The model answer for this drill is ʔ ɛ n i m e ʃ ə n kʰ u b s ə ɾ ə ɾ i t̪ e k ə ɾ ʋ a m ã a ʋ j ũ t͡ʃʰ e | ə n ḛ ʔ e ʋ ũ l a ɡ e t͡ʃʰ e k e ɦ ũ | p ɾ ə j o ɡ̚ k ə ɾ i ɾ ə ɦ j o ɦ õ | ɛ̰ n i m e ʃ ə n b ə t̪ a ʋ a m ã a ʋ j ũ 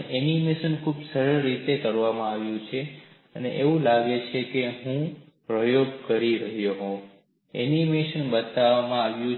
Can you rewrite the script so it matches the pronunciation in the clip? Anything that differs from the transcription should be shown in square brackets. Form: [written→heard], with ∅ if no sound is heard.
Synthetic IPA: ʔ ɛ n i m e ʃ ə n kʰ u b s ə ɾ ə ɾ i t̪ e k ə ɾ ʋ a m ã a ʋ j ũ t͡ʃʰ e | ə n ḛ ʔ e ʋ ũ l a ɡ e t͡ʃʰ e k e ɦ ũ | p ɾ ə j o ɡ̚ k ə ɾ i ɾ ə ɦ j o ɦ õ | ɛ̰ n i m e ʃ ə n b ə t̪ a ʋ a m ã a ʋ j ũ

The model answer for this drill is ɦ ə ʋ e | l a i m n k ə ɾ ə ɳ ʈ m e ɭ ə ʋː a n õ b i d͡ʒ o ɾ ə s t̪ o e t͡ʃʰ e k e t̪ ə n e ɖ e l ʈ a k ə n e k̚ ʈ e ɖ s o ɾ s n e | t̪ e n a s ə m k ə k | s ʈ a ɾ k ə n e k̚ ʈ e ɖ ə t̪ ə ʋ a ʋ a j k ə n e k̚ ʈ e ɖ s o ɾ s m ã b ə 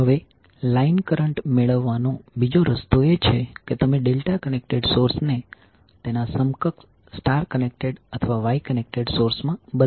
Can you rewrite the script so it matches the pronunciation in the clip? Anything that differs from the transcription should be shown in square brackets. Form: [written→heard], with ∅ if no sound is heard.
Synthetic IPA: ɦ ə ʋ e | l a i [m→∅] n k ə ɾ ə ɳ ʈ m e ɭ ə ʋː a n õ b i d͡ʒ o ɾ ə s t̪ o e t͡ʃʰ e k e t̪ ə [n→m] e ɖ e l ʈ a k ə n e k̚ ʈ e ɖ s o ɾ s n e | t̪ e n a s ə m k ə k | s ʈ a ɾ k ə n e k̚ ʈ e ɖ ə [t̪→t̪ʰ] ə ʋ a ʋ a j k ə n e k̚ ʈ e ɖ s o ɾ s m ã b ə

